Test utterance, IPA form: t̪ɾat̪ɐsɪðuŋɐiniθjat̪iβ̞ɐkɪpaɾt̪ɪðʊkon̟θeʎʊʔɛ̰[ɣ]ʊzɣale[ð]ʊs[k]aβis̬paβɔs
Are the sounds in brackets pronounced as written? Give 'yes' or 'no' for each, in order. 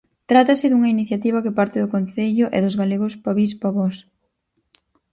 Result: no, no, no

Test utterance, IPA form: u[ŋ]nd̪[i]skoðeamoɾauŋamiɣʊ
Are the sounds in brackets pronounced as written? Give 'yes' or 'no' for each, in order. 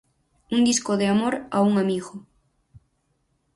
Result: no, yes

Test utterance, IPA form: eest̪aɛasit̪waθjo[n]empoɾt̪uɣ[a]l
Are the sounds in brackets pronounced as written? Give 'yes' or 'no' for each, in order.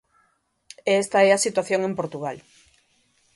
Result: no, yes

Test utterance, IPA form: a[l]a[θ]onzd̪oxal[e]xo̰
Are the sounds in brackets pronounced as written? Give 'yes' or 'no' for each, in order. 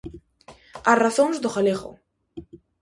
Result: no, yes, yes

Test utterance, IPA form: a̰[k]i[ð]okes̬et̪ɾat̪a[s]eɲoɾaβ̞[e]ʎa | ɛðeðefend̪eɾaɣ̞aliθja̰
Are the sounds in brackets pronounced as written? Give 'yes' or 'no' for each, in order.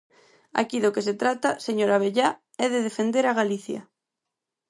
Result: yes, yes, yes, yes

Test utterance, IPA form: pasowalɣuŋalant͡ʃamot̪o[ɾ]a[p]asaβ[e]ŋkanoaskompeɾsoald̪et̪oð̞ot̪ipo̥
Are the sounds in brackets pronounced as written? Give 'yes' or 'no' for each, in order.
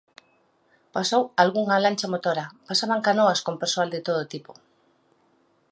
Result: yes, yes, no

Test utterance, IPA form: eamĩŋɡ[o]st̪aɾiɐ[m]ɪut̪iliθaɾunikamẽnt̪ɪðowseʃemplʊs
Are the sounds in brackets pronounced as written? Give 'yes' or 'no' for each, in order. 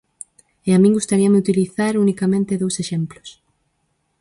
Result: no, yes

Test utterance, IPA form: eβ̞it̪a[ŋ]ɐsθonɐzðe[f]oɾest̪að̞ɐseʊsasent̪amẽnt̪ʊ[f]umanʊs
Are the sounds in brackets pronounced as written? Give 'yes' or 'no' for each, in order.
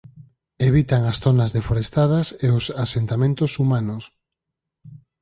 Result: yes, yes, no

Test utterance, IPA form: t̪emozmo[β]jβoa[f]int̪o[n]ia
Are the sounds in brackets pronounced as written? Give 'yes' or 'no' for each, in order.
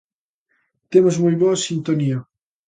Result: no, no, yes

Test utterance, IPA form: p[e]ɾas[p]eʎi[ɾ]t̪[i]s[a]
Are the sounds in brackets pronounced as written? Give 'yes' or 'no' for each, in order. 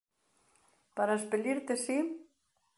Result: no, yes, yes, no, no

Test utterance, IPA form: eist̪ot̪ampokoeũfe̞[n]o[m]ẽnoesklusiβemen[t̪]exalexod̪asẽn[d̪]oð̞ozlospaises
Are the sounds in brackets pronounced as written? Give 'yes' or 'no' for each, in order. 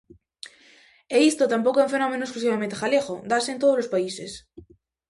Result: yes, yes, yes, no

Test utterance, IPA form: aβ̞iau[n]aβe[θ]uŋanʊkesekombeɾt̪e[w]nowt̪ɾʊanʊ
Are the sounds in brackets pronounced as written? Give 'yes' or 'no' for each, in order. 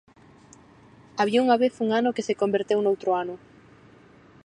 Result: no, yes, yes

